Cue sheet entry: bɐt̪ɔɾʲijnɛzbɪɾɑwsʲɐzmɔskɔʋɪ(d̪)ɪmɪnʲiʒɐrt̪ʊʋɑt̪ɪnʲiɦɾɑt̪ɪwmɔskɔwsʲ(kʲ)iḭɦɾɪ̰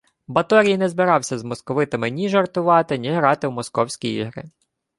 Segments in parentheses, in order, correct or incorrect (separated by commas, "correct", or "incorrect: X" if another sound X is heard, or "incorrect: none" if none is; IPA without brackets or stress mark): incorrect: t̪, correct